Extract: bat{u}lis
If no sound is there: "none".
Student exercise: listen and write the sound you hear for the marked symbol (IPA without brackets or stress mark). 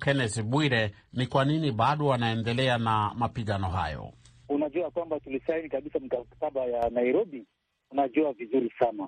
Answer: u